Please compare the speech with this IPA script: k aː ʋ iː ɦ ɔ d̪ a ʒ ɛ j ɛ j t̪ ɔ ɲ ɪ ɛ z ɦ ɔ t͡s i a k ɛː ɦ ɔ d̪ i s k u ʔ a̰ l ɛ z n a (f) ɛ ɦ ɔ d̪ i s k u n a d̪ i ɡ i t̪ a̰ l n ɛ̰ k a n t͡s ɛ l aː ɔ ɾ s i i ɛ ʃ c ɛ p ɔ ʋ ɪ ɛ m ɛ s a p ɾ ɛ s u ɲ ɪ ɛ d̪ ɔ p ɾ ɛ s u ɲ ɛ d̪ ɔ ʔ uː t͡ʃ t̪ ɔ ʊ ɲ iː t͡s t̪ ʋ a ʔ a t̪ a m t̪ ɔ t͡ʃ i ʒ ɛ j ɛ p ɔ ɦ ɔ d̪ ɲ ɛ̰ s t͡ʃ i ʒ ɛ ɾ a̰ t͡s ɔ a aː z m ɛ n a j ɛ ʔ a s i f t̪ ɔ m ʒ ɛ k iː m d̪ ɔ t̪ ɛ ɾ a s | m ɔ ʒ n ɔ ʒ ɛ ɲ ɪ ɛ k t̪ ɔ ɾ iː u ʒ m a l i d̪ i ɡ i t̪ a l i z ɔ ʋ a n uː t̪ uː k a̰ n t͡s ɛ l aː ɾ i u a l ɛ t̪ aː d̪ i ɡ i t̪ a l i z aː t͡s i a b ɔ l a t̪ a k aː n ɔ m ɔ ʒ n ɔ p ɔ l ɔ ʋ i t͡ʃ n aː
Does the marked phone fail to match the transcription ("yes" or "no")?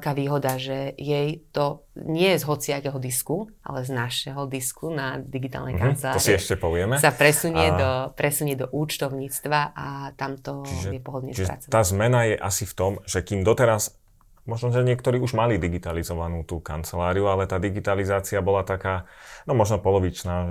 yes